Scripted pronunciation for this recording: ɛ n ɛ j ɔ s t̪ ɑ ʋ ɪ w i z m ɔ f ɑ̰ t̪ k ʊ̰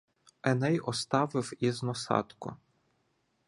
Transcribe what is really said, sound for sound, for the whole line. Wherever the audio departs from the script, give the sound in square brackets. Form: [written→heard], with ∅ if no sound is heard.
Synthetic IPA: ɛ n ɛ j ɔ s t̪ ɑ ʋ ɪ w i z [m→n] ɔ [f→s] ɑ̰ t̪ k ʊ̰